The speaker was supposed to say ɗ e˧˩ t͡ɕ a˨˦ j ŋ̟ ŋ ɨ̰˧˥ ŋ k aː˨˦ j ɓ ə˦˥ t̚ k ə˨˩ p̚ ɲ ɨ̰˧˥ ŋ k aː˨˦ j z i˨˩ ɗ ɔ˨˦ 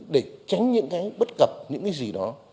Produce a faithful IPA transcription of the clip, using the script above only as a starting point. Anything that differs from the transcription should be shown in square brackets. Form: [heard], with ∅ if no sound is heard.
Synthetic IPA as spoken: ɗ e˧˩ t͡ɕ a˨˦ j ŋ̟ [ɲ] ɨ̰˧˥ ŋ k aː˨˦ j ɓ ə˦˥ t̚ k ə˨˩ p̚ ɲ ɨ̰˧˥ ŋ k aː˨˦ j z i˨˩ ɗ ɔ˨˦